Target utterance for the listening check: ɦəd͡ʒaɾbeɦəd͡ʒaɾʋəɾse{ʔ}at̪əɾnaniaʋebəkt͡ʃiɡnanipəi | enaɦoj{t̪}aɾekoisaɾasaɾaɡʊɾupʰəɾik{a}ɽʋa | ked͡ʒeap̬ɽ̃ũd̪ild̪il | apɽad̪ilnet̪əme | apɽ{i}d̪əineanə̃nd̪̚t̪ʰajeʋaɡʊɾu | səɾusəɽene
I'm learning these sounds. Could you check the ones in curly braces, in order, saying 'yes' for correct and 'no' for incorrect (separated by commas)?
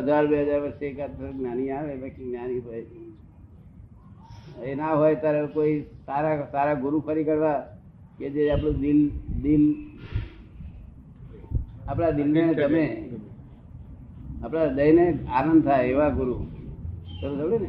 no, yes, no, no